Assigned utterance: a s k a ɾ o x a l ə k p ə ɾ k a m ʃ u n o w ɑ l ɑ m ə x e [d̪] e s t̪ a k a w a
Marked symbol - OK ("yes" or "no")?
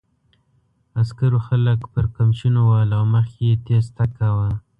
no